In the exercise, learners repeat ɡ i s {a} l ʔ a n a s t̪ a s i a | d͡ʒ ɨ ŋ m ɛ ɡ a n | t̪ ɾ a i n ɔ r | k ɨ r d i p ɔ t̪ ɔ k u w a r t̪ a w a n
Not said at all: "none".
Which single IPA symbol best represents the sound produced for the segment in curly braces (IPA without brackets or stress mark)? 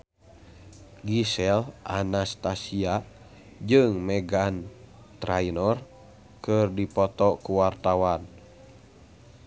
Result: ɛ